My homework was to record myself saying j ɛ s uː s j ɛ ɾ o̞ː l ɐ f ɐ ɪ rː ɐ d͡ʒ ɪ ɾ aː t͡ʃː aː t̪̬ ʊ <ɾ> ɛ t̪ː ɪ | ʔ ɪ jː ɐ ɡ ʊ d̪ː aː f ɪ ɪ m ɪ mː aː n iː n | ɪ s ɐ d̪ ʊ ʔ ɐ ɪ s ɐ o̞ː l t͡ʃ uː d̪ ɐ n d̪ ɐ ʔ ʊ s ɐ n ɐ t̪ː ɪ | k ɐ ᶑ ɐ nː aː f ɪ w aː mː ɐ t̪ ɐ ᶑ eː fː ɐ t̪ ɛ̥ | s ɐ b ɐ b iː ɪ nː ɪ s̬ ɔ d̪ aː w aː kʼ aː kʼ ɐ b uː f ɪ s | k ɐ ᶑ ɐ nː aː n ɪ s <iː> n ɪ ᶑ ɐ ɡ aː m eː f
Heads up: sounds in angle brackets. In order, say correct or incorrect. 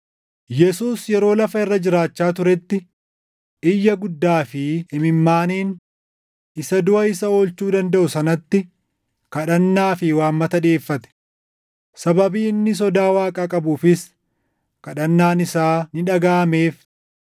correct, incorrect: aː

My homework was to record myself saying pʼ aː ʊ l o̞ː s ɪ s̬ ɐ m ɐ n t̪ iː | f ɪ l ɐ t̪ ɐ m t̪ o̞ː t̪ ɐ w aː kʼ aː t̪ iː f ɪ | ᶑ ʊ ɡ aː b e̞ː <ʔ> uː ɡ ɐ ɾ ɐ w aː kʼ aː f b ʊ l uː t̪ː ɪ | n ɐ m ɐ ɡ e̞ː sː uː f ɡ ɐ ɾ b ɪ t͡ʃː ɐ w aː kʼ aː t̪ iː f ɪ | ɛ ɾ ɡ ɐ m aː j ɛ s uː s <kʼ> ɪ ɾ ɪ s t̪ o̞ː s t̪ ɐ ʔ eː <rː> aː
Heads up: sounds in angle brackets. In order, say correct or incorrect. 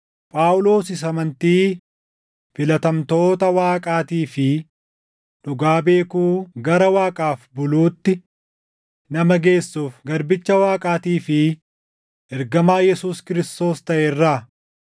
incorrect: k, incorrect: k, correct

